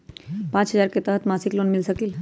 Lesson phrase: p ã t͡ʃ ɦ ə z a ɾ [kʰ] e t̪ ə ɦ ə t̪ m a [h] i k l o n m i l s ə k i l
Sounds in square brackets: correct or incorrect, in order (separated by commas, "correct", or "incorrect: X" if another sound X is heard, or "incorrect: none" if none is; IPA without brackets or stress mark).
incorrect: k, incorrect: s